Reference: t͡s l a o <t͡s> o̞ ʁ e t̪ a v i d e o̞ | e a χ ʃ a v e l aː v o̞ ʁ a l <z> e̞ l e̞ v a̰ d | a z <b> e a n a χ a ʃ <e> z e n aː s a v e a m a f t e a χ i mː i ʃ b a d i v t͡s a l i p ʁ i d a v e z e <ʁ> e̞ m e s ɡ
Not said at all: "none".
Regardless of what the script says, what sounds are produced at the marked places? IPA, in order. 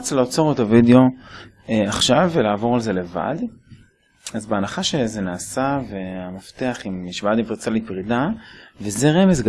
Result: t͡s, z, b, e, ʁ

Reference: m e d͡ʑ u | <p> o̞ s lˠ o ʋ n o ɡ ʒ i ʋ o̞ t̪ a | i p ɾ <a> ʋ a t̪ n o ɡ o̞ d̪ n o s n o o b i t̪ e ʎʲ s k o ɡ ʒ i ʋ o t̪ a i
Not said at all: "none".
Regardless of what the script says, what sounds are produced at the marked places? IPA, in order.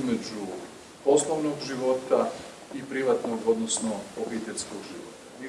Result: p, i

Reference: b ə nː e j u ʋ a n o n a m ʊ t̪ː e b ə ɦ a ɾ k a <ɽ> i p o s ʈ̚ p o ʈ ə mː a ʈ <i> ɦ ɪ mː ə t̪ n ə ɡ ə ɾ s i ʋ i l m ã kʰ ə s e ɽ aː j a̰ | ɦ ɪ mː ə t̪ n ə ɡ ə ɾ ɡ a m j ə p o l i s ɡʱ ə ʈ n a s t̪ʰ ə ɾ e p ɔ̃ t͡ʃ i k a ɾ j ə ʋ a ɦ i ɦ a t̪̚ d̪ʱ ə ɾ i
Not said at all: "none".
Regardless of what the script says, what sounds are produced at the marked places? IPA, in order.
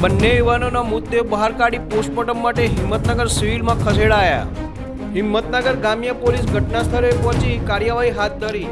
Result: ɽ, e

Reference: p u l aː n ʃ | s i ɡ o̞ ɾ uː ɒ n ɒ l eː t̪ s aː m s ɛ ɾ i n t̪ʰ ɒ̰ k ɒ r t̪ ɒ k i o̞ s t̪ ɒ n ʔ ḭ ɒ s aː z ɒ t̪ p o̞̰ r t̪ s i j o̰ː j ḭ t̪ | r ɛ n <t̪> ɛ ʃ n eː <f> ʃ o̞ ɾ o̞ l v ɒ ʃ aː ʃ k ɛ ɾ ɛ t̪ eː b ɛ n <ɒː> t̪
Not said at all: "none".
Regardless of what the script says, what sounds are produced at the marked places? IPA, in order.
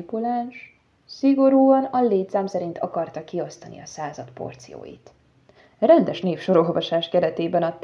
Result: d̪, f, ɒ

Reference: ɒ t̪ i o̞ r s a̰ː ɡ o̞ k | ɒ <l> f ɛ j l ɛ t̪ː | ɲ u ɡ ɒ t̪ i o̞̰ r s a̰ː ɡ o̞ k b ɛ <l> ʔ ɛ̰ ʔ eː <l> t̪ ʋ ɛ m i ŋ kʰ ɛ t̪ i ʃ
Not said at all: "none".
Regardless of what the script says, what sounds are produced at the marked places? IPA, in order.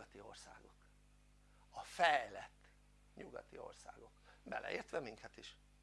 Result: none, l, r

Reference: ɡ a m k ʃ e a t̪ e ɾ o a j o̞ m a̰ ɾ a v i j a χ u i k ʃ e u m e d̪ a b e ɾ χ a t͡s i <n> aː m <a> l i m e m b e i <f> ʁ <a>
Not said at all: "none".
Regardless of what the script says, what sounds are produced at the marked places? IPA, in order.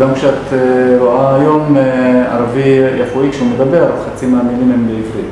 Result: m, i, v, i

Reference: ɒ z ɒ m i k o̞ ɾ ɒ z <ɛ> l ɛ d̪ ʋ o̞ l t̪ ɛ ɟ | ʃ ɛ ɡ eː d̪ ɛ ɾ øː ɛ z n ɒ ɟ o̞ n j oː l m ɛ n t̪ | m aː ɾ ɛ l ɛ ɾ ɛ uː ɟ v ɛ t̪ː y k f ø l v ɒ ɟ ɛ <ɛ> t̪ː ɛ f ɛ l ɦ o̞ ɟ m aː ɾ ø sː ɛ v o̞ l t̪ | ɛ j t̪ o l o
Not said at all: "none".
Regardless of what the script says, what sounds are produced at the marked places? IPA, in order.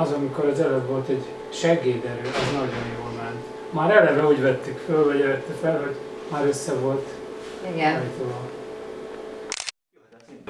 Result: ɛ, ɛ

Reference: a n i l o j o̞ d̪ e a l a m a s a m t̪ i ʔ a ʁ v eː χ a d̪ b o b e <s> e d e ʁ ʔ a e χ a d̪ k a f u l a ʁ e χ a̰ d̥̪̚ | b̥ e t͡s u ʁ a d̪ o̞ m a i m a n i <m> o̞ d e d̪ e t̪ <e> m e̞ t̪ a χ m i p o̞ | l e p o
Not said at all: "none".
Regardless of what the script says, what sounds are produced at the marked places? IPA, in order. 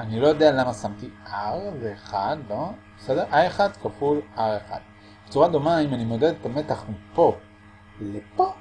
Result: s, m, a

